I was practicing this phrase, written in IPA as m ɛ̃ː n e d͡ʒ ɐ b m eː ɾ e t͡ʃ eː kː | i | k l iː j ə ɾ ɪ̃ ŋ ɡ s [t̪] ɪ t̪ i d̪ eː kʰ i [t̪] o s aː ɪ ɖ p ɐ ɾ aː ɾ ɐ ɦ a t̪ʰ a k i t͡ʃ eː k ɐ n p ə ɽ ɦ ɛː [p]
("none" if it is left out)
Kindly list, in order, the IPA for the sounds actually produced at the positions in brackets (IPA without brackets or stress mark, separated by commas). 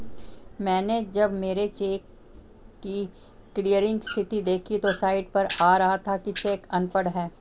t̪ʰ, t̪, none